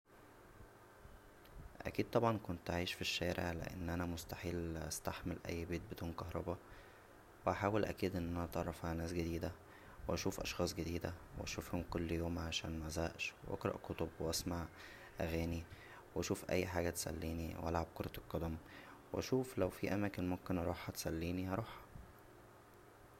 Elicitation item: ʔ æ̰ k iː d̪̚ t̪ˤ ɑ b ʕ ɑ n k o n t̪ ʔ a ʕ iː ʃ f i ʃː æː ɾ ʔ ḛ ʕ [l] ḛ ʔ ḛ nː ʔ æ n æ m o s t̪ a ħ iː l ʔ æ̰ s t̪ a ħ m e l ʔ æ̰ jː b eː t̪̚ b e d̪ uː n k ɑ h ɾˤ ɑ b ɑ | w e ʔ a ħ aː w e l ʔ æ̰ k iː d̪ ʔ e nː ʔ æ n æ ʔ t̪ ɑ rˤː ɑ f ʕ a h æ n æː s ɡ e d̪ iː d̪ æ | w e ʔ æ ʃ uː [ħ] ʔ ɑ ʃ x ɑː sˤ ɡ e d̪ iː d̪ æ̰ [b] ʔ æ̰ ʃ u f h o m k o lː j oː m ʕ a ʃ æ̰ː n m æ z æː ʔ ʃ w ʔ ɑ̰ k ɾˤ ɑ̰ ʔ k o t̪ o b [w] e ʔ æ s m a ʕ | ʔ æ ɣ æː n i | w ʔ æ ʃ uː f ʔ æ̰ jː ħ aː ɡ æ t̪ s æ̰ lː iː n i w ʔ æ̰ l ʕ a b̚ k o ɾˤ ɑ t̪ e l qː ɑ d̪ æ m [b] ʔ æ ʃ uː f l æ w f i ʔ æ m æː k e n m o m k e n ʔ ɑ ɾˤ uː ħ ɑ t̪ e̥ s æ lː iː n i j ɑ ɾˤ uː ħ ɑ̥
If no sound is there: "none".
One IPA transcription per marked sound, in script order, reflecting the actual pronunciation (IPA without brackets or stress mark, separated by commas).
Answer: l, f, w, w, w